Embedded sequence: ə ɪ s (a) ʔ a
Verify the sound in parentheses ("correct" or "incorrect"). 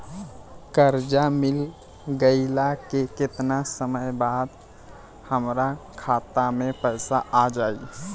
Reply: correct